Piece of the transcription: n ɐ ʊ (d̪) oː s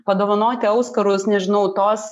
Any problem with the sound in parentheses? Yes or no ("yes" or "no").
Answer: yes